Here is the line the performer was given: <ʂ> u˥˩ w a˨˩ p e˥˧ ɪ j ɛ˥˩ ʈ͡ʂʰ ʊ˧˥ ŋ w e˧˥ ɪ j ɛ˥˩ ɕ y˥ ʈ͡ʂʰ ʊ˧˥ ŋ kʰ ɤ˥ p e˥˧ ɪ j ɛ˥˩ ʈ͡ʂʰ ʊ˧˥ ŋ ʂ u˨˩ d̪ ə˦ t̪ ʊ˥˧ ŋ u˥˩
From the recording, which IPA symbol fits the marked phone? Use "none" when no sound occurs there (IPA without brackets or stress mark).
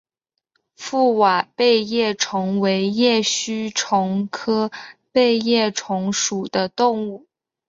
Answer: f